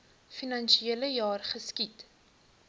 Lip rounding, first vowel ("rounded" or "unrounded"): unrounded